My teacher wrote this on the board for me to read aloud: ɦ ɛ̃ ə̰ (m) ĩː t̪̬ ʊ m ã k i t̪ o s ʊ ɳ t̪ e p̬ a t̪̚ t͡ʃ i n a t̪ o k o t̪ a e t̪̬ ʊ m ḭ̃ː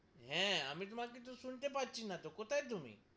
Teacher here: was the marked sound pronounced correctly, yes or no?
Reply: yes